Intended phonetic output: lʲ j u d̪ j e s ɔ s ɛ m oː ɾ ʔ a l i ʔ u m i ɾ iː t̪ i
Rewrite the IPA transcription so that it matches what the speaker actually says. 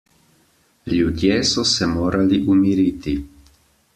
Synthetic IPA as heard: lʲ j u d̪ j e s ɔ s ɛ m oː ɾ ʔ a l i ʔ u m i ɾ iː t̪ i